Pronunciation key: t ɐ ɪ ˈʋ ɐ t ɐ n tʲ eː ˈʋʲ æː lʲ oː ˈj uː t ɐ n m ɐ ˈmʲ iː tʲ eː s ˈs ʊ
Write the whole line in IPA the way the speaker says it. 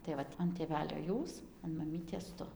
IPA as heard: t ɐ ɪ ˈʋ ɐ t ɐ n tʲ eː ˈʋʲ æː lʲ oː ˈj uː s ɐ n m ɐ ˈmʲ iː tʲ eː s ˈt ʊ